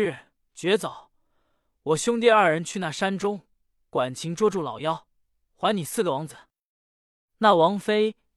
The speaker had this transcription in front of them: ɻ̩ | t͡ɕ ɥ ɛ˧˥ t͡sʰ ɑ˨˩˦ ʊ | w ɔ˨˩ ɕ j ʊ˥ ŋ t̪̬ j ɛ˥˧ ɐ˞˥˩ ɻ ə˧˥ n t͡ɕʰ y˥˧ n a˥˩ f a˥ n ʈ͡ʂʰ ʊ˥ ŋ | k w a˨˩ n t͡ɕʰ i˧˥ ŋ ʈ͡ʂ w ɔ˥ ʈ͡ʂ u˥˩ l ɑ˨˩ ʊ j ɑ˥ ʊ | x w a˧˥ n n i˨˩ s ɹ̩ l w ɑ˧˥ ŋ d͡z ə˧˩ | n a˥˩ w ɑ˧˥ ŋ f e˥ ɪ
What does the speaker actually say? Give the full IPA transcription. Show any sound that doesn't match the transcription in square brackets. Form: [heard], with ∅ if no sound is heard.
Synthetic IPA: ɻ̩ | t͡ɕ ɥ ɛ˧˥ [t͡s] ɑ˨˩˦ ʊ | w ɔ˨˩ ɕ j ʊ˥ ŋ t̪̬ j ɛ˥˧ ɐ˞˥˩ ɻ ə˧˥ n t͡ɕʰ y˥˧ n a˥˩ [ʂ] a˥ n [ʈ͡ʂ] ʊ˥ ŋ | k w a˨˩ n t͡ɕʰ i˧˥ ŋ ʈ͡ʂ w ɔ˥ ʈ͡ʂ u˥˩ l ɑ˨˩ ʊ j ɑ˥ ʊ | x w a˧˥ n n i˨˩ s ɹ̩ l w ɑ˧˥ ŋ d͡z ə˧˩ | n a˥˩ w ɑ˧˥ ŋ f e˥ ɪ